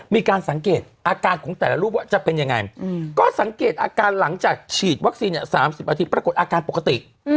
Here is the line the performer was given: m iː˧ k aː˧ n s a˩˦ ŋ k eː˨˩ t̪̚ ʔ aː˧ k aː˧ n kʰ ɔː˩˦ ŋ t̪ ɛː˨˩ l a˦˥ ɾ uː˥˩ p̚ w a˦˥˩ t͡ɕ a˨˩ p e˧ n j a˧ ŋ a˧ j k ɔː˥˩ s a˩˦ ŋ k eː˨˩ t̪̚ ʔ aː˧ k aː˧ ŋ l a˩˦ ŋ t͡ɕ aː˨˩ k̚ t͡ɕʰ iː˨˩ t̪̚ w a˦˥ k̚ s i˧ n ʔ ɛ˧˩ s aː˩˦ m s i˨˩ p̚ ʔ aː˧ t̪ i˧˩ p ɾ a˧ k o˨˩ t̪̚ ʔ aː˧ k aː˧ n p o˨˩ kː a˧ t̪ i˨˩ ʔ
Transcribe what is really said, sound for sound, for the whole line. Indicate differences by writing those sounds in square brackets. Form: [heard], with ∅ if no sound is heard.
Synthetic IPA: m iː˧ k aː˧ n s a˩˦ ŋ k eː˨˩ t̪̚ ʔ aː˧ k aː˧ n kʰ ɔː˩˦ ŋ t̪ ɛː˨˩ l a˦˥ ɾ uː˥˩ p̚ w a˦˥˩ t͡ɕ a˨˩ p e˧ n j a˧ ŋ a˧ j k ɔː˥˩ s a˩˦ ŋ k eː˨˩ t̪̚ ʔ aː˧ k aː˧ [n] l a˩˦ ŋ t͡ɕ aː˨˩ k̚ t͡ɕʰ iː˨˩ t̪̚ w a˦˥ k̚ s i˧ n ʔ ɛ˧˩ s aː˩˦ m s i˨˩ p̚ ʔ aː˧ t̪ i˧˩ p ɾ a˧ k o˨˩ t̪̚ ʔ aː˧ k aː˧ n p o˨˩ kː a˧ t̪ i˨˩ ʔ